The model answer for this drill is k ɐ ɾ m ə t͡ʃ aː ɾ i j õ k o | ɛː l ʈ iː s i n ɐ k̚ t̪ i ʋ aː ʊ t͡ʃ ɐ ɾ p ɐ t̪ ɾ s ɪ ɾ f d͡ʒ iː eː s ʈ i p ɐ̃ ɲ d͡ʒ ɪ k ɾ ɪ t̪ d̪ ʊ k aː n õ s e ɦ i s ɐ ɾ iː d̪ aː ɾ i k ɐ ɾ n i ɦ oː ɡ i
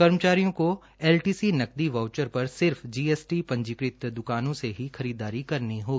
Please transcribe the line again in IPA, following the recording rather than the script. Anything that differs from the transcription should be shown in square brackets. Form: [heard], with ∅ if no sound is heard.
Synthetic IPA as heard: k ɐ ɾ m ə t͡ʃ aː ɾ i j õ k o | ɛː l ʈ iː s i n ɐ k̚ [d̪] i ʋ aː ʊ t͡ʃ [ə] ɾ p ɐ [∅] ɾ s ɪ ɾ f d͡ʒ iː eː s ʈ i p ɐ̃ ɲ d͡ʒ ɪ k ɾ ɪ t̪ d̪ ʊ k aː n õ s e ɦ i [x] ɐ ɾ iː d̪ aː ɾ i k ɐ ɾ n i ɦ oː ɡ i